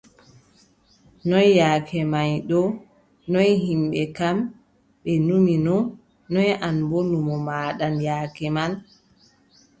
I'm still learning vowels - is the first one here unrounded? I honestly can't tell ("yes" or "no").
no